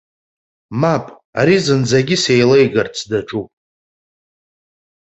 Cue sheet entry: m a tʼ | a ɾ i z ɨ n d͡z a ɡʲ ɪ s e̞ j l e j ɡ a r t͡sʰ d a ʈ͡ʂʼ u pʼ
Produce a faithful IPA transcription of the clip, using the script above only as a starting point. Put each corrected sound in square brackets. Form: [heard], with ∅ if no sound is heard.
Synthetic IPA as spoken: m a [pʼ] | a ɾ i z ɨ n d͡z a ɡʲ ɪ s e̞ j l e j ɡ a r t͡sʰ d a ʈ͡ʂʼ u pʼ